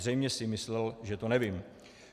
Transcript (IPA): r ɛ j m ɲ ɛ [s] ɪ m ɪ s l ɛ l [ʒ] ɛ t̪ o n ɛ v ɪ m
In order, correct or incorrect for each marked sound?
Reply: correct, correct

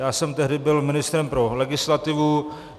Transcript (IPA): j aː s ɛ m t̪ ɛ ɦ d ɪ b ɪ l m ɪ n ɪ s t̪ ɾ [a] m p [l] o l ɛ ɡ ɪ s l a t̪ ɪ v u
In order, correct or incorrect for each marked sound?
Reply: incorrect, incorrect

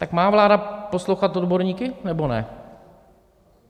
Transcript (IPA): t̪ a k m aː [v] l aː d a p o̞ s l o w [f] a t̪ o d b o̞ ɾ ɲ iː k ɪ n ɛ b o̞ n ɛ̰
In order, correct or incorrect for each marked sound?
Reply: correct, incorrect

